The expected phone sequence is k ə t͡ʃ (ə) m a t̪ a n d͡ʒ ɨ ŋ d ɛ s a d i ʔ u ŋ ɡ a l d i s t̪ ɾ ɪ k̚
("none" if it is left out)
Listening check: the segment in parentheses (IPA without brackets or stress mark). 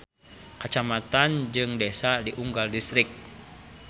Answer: a